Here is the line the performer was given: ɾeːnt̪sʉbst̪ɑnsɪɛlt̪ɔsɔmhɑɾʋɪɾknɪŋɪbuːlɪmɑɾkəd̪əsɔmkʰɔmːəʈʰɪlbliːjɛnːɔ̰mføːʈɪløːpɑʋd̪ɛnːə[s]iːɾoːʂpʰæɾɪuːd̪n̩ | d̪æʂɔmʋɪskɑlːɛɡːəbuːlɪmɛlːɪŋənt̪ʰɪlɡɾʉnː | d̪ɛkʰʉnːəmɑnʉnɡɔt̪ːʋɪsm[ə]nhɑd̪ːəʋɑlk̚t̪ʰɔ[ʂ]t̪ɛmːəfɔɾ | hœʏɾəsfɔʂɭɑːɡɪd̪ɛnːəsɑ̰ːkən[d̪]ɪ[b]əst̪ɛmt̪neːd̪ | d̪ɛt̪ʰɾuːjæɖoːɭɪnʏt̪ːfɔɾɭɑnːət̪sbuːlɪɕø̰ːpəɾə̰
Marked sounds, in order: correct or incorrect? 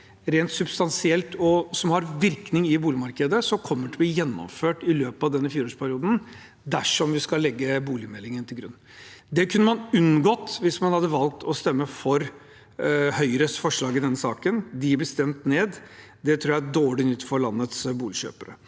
incorrect: f, incorrect: ɑ, incorrect: s, correct, correct

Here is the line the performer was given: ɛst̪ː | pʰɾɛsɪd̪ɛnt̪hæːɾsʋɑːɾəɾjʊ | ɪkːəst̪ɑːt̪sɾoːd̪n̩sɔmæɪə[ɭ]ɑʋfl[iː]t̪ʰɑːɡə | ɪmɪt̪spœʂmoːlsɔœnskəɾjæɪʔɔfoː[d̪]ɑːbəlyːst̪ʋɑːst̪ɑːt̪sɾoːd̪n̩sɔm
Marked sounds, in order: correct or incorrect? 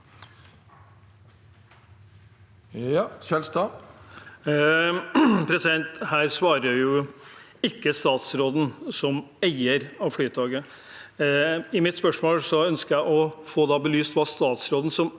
incorrect: ɾ, incorrect: yː, correct

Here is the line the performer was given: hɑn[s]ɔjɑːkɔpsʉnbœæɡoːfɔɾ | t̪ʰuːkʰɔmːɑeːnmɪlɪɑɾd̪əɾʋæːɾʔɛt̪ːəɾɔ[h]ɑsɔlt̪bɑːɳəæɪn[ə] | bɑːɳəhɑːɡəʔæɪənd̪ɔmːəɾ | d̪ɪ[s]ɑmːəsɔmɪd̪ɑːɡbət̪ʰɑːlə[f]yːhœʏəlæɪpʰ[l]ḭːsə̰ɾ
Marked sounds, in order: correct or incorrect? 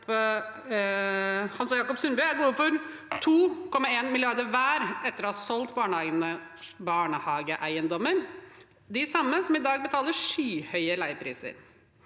correct, correct, correct, correct, incorrect: ʂ, incorrect: ɾ

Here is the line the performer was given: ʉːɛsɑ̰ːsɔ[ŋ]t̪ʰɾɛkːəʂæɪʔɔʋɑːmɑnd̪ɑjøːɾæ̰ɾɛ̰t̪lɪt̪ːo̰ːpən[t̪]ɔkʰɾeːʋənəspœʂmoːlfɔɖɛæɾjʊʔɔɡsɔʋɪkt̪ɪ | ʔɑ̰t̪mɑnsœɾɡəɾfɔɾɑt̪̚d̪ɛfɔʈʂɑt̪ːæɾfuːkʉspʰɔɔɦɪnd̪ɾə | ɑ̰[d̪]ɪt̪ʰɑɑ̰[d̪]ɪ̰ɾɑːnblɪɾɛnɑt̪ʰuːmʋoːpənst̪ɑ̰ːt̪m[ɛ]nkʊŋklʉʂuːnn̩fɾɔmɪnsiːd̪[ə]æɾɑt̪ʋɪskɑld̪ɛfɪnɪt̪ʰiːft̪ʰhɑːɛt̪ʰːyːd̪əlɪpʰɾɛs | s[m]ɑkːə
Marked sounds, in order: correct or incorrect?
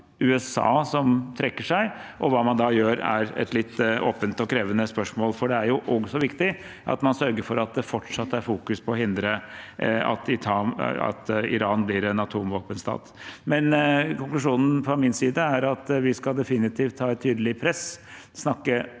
incorrect: m, correct, incorrect: t̪, incorrect: t̪, correct, correct, incorrect: n

